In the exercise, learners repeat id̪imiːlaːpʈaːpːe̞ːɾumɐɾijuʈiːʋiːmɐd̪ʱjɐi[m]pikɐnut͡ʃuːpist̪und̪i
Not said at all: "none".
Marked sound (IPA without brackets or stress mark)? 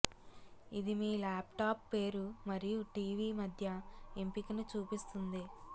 m